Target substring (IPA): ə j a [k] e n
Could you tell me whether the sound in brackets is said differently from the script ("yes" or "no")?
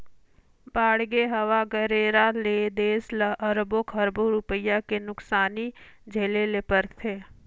no